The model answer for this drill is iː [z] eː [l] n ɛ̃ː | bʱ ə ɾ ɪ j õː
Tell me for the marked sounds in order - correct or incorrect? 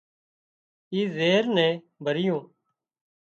correct, incorrect

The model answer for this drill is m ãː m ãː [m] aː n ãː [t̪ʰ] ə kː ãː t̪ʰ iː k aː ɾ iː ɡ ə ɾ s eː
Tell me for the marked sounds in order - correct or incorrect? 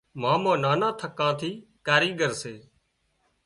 incorrect, correct

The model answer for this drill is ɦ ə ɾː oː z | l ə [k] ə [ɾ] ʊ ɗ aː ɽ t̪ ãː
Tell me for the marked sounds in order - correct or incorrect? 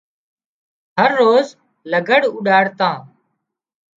incorrect, incorrect

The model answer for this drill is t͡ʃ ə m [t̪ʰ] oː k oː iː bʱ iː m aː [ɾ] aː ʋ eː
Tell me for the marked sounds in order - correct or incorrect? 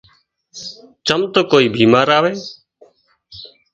incorrect, correct

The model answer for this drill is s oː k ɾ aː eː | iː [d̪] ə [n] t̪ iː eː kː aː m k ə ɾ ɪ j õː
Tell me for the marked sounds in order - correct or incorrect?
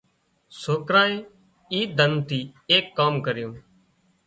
correct, correct

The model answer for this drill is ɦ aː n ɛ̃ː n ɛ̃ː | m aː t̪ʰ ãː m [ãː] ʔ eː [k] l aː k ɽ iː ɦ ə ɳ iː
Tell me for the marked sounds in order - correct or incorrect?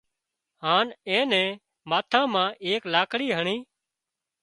correct, correct

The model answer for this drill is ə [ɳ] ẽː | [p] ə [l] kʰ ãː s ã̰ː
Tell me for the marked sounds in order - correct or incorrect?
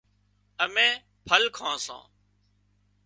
incorrect, incorrect, correct

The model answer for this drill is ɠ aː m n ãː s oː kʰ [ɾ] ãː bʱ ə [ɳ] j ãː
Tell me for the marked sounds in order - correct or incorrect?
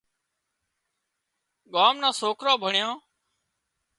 correct, correct

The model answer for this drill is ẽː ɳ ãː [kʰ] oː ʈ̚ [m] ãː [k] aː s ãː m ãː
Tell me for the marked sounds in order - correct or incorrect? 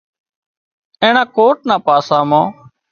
incorrect, incorrect, incorrect

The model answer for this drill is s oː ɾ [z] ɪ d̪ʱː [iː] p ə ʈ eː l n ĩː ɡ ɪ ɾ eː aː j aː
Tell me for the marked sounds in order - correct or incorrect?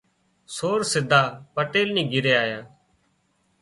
incorrect, incorrect

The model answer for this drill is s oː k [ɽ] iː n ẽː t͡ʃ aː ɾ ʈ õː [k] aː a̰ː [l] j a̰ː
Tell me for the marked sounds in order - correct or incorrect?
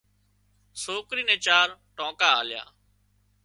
incorrect, correct, correct

